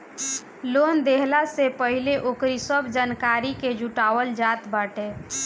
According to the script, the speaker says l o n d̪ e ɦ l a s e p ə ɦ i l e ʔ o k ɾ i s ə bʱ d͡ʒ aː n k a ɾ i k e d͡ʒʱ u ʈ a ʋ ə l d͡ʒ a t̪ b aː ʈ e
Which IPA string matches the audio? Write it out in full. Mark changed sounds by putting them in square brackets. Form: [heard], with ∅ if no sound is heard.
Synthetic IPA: l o n d̪ e ɦ l a s e p ə ɦ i l e ʔ o k ɾ i s ə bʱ d͡ʒ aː n k a ɾ i k e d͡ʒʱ u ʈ a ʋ ə l d͡ʒ a t̪ b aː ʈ e